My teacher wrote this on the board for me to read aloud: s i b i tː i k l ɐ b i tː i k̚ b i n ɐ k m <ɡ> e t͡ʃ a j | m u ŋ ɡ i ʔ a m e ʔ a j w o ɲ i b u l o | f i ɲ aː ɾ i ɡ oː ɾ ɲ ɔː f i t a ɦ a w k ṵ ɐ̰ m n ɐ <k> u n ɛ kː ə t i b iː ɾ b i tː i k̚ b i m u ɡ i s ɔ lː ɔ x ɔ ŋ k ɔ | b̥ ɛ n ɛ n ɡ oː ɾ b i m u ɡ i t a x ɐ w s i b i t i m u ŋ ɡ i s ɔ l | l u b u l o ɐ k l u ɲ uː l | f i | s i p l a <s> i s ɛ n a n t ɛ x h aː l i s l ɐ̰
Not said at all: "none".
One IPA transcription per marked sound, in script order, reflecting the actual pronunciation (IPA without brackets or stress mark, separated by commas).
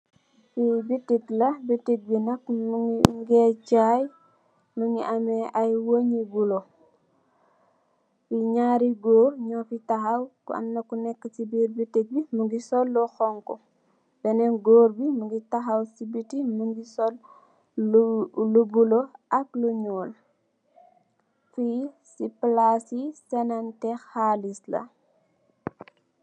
ɡ, k, s